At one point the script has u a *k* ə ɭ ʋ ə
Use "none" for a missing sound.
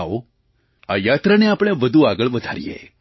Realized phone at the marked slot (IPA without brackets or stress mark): ɡ